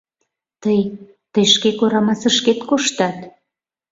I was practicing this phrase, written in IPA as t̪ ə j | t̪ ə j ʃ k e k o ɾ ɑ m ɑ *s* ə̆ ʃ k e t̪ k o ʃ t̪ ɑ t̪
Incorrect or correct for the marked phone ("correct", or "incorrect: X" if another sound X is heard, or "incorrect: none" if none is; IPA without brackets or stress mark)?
correct